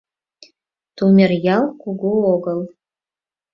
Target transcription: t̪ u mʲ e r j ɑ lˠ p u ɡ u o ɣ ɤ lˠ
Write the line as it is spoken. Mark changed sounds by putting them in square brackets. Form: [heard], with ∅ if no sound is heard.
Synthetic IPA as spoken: t̪ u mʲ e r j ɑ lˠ [k] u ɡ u o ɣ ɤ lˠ